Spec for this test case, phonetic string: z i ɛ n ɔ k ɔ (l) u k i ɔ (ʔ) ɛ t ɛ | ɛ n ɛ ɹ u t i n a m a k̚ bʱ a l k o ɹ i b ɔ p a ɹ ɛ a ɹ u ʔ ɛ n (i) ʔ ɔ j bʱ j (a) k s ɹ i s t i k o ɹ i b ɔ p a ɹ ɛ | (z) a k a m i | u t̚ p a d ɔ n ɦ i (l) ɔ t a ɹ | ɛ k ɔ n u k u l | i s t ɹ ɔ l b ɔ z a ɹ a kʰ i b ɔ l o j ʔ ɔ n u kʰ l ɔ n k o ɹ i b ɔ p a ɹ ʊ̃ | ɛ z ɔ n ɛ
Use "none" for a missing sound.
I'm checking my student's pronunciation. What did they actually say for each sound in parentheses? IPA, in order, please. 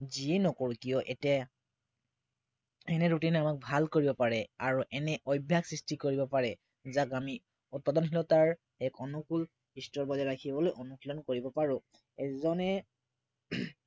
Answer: ɹ, ʔ, ɛ, a, z, l

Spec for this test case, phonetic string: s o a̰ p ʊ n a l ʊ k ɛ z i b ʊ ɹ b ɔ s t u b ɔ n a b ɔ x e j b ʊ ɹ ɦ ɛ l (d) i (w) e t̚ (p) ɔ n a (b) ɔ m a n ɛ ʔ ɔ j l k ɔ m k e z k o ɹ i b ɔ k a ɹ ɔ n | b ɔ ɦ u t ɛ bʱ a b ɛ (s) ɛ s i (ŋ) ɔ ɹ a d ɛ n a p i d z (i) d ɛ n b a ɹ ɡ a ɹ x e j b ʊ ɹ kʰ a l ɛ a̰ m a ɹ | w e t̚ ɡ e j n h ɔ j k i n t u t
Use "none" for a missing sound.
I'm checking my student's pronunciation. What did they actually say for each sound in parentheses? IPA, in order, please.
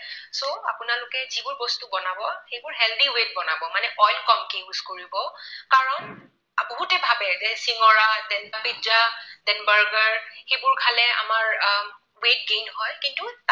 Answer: d, w, b, b, z, ŋ, a

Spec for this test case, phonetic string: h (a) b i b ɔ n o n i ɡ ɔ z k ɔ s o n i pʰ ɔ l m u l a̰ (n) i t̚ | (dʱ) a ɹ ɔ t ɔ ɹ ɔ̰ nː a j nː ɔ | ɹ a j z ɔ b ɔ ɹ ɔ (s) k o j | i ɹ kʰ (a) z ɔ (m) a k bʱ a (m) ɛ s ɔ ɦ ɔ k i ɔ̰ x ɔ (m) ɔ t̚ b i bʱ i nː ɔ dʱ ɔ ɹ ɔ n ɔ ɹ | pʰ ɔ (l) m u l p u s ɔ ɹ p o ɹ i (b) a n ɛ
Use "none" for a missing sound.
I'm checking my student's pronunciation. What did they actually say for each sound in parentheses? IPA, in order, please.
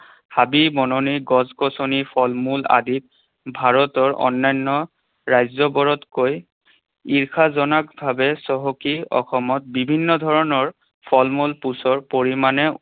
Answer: a, d, bʱ, t, a, n, b, m, l, m

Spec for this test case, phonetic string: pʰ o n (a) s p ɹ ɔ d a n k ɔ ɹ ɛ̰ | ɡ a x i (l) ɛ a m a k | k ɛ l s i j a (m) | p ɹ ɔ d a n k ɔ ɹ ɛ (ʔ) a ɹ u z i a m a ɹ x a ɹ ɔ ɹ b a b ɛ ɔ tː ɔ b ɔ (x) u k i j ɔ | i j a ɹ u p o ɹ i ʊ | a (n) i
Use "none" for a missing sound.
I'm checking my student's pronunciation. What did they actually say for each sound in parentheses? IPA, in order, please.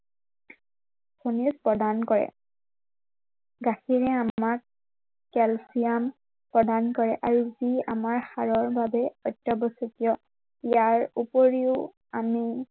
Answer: i, ɹ, m, ʔ, s, m

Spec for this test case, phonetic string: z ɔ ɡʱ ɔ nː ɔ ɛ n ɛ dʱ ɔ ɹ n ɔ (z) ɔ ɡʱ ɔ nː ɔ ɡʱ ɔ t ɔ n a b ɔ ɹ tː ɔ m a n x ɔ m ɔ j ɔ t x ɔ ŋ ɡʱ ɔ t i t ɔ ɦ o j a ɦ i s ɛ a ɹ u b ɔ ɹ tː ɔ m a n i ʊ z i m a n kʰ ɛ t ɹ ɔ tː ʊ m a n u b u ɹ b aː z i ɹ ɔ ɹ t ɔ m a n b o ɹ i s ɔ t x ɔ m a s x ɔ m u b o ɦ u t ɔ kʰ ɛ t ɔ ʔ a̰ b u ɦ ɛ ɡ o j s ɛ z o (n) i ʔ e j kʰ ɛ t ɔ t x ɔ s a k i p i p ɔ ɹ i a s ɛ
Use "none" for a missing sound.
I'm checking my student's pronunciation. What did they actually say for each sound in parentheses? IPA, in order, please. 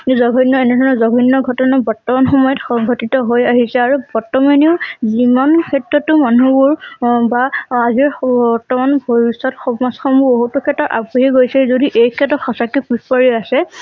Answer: z, d

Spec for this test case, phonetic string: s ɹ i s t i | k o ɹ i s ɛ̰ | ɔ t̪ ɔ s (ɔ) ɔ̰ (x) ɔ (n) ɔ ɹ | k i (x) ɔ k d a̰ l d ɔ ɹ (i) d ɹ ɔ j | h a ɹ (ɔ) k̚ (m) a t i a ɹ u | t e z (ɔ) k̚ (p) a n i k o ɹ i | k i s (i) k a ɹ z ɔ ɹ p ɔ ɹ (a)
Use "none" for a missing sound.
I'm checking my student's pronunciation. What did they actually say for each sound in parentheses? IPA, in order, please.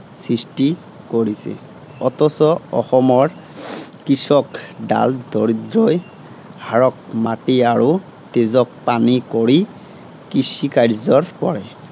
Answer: ɔ, x, m, s, i, ɔ, m, ɔ, p, i, ɛ

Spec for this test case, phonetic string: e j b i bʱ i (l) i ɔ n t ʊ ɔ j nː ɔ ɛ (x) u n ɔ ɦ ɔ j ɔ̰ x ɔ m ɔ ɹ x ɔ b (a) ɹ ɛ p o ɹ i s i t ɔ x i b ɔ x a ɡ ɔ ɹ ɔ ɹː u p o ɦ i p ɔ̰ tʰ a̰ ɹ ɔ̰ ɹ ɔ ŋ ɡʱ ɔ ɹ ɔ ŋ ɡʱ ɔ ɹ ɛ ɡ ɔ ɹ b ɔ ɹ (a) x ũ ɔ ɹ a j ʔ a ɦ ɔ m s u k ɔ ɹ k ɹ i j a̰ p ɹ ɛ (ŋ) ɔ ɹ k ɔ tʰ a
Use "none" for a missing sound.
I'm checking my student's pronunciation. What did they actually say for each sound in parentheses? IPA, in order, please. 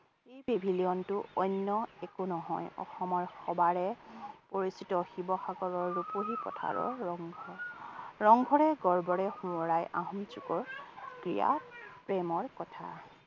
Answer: l, k, a, ɛ, m

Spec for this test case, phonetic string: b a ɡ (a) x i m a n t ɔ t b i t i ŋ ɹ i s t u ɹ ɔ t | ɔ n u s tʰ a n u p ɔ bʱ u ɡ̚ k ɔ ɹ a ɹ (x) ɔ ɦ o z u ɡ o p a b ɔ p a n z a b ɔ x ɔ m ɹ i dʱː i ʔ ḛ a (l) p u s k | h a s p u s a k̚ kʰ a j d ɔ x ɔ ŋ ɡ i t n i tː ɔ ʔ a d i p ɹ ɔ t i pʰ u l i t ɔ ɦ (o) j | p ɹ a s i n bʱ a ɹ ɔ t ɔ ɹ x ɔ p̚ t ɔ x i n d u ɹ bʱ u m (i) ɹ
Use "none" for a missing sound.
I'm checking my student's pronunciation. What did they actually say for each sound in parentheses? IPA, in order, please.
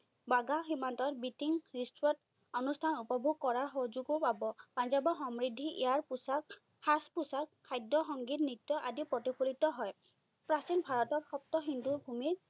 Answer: a, x, ɹ, ɔ, i

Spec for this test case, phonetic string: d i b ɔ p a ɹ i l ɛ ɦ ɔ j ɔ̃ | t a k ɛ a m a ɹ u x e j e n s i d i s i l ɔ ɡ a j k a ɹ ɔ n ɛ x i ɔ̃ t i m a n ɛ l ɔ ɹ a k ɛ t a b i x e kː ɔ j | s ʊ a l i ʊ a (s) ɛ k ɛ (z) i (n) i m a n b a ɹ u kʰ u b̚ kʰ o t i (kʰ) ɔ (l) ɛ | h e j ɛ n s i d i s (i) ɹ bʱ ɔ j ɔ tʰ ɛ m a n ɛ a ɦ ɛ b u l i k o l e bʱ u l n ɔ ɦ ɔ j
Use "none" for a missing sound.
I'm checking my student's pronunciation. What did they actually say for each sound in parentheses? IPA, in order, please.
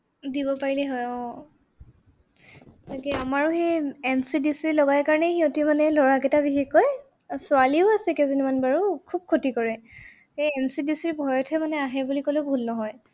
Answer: s, z, n, k, ɹ, i

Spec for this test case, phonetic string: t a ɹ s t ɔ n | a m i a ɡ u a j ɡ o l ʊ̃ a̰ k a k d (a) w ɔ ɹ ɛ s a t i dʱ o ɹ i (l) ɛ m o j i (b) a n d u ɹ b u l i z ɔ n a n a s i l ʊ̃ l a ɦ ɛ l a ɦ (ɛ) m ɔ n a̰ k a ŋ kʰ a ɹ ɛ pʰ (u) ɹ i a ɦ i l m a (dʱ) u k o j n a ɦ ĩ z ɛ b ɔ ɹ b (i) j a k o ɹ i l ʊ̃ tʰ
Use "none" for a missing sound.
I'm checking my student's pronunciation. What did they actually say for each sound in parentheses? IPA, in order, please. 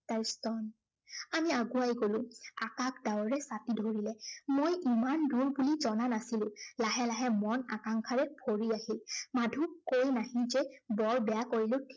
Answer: a, l, m, ɛ, o, dʱ, ɛ

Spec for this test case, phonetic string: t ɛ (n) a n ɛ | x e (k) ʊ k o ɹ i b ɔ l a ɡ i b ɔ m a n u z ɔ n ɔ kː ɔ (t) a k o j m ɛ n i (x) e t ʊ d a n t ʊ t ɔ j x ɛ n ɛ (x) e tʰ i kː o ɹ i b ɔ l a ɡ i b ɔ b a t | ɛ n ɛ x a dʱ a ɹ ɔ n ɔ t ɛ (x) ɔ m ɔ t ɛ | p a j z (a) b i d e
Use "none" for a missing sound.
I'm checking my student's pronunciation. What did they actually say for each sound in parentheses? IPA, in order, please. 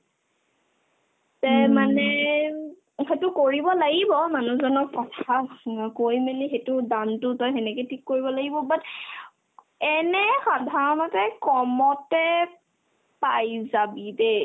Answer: m, t, tʰ, x, k, k, a

